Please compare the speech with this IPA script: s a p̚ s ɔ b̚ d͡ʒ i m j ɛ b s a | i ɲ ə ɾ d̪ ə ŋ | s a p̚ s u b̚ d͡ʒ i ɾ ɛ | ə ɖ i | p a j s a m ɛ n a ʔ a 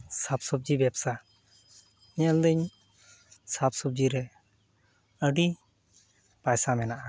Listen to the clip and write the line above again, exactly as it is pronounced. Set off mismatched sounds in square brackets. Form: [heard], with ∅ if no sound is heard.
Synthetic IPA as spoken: s a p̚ s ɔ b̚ d͡ʒ i [b] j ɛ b s a | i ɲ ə [l] d̪ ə [ɲ] | s a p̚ s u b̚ d͡ʒ i ɾ ɛ | ə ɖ i | p a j s a m ɛ n a ʔ a